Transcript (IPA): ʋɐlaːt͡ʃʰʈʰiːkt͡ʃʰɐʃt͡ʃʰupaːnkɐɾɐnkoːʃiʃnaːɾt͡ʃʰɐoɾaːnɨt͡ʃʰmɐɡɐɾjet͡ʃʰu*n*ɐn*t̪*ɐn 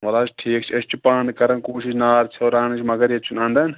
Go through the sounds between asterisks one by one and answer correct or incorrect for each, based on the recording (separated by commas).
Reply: correct, incorrect